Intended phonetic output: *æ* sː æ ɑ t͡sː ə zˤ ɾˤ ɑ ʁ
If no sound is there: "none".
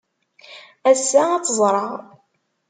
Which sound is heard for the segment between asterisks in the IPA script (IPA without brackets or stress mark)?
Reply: æ